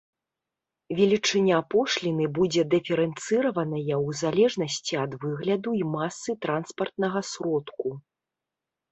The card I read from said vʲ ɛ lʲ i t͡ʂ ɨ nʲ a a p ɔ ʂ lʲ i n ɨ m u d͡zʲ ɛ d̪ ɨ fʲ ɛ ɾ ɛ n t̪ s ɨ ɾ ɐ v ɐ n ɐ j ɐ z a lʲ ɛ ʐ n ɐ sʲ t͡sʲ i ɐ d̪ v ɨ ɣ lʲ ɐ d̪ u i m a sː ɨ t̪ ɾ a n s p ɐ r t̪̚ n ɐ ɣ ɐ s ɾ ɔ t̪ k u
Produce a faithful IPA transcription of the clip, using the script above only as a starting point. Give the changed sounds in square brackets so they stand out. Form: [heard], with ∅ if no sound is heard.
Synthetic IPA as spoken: vʲ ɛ lʲ i t͡ʂ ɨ nʲ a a p ɔ ʂ lʲ i n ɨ [b] u d͡zʲ ɛ d̪ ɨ fʲ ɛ ɾ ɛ n t̪ s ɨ ɾ ɐ v ɐ n ɐ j ɐ z a lʲ ɛ ʐ n ɐ sʲ t͡sʲ i ɐ d̪ v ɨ ɣ lʲ ɐ d̪ u i m a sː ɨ t̪ ɾ a n s p ɐ r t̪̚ n ɐ ɣ ɐ s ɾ ɔ t̪ k u